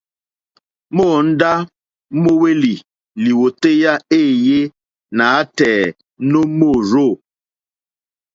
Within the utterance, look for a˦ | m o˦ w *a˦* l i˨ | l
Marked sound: incorrect: e˦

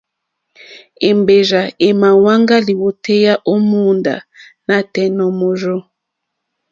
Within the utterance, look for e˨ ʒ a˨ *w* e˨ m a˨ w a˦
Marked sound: incorrect: none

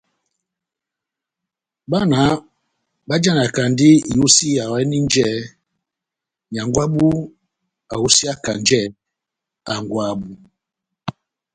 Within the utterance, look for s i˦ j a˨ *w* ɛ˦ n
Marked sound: correct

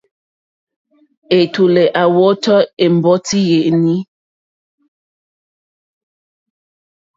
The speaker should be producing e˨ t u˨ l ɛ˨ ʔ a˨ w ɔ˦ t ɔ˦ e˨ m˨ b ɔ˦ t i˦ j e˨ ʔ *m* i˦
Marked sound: incorrect: n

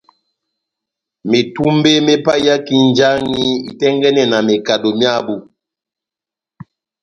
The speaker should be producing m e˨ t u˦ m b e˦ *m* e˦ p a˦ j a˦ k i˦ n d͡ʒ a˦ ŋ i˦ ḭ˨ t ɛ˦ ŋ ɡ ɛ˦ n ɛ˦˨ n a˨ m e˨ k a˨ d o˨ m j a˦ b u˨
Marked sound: correct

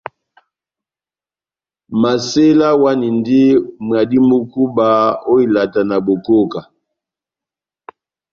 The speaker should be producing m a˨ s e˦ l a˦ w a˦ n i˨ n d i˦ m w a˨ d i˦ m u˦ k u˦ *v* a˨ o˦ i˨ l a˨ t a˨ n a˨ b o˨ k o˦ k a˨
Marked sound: incorrect: b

